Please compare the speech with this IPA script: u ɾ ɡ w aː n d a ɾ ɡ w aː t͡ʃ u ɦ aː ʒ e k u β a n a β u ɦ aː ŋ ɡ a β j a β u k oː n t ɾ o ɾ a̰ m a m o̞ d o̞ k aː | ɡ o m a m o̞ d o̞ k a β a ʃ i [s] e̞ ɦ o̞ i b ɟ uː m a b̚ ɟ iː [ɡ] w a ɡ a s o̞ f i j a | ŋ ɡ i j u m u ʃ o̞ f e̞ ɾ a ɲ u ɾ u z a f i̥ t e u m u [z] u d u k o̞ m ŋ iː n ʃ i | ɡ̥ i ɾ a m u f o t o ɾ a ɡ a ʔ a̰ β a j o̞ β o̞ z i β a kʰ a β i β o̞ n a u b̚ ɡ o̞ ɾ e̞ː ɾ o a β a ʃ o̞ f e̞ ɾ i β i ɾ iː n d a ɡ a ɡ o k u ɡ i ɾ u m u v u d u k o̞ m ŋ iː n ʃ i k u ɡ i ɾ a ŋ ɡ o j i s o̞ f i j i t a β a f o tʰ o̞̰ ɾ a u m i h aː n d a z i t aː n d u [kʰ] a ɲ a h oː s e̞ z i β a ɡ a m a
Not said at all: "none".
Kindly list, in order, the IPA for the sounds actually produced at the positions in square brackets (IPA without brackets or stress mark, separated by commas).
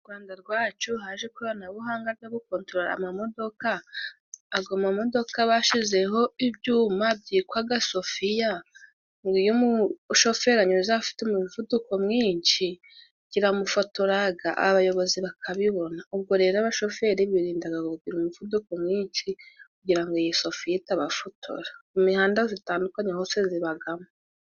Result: z, k, v, k